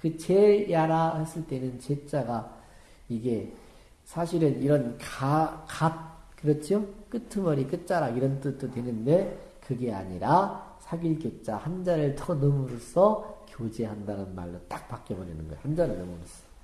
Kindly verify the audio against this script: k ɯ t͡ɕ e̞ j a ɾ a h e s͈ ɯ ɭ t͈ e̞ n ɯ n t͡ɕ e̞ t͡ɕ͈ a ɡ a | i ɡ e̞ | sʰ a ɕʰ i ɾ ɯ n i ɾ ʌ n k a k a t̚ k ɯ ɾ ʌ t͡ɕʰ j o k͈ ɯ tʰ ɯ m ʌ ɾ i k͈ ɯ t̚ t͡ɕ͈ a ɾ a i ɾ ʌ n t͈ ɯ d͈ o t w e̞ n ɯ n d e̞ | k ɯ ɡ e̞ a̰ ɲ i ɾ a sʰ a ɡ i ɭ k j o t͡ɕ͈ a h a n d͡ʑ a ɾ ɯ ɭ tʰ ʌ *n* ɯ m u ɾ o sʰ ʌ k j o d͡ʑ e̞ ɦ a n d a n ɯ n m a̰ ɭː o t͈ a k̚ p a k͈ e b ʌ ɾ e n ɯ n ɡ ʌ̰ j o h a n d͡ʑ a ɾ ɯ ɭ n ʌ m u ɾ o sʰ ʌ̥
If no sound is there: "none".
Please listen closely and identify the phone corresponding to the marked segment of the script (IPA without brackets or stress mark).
n